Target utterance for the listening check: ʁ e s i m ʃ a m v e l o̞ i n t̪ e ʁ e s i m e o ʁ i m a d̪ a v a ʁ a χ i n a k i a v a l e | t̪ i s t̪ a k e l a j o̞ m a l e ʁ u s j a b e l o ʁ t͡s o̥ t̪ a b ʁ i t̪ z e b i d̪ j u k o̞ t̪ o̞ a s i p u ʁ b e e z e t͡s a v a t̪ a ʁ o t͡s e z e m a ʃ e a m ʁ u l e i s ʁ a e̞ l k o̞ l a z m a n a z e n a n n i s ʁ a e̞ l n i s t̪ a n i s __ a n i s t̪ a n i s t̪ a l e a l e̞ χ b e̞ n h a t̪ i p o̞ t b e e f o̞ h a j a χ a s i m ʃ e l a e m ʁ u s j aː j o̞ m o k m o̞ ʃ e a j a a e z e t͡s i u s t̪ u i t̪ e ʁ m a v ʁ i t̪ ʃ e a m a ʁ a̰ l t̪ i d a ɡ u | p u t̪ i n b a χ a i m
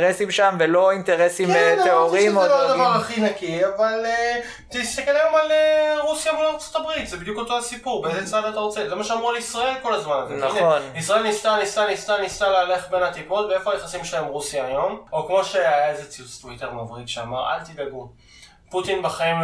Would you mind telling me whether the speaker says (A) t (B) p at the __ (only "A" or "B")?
A